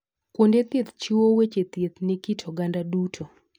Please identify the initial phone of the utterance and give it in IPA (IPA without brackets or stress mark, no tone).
k